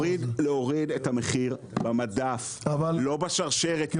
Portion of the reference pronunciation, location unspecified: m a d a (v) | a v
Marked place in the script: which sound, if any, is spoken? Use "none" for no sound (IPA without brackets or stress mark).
f